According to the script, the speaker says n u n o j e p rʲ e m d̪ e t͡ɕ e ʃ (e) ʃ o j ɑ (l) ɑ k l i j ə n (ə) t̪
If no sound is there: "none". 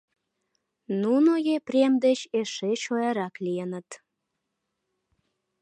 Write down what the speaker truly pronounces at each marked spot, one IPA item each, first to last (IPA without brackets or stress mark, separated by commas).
e, ɾ, ə